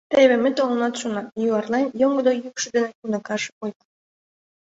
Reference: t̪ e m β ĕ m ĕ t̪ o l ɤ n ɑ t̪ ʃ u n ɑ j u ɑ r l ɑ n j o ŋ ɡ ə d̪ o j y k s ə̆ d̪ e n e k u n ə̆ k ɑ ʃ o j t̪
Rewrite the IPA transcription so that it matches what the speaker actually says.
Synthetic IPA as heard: t̪ e β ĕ m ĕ t̪ o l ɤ n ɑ t̪ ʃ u n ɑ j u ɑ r l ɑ n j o ŋ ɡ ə d̪ o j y k ʃ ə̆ d̪ e n e k u n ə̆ k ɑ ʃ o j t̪